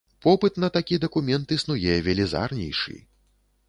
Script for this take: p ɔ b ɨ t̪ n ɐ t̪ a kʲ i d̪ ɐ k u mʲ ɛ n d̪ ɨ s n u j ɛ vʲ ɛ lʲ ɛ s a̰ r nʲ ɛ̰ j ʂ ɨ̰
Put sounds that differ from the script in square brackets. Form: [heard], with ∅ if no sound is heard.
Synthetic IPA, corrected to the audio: p ɔ [p] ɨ t̪ n ɐ t̪ a kʲ i d̪ ɐ k u mʲ ɛ n [t̪] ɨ s n u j ɛ vʲ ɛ lʲ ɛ [z] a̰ r nʲ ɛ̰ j ʂ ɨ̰